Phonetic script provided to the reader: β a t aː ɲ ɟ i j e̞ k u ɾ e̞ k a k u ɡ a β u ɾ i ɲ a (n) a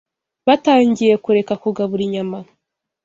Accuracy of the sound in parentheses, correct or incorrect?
incorrect